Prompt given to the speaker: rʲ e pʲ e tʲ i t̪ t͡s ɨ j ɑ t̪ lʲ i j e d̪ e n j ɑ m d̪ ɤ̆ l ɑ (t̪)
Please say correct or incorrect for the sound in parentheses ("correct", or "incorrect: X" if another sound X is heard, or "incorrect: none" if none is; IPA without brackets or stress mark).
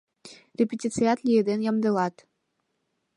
correct